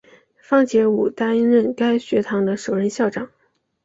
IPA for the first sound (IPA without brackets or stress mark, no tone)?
f